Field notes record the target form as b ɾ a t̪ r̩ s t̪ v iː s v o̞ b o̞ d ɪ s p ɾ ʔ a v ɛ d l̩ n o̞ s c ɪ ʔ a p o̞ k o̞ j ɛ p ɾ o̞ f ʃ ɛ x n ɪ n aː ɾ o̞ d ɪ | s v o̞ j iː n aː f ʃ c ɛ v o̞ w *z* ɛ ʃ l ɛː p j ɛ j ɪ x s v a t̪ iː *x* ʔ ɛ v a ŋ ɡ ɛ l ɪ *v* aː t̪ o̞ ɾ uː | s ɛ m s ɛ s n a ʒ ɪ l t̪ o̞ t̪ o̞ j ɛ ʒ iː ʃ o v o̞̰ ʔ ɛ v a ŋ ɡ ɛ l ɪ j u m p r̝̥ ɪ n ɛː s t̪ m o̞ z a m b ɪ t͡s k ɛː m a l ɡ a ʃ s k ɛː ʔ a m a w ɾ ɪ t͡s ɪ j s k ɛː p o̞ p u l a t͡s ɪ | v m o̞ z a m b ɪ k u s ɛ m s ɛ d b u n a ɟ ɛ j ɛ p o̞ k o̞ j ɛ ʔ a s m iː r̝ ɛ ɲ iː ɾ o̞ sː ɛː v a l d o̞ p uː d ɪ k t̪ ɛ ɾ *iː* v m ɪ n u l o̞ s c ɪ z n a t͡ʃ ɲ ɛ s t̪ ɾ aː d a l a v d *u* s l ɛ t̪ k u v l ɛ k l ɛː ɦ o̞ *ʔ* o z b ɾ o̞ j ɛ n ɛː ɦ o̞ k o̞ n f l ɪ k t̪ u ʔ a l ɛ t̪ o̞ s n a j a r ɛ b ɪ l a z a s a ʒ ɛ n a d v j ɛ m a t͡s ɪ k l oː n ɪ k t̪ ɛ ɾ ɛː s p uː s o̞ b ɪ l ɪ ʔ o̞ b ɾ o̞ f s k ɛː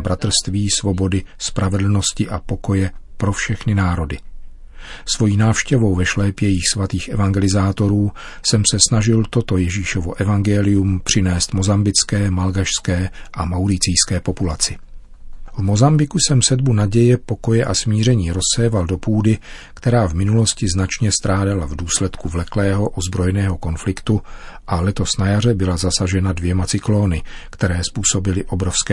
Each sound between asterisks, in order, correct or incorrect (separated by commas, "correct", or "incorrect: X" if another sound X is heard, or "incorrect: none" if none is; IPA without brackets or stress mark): incorrect: v, correct, incorrect: z, incorrect: aː, incorrect: uː, correct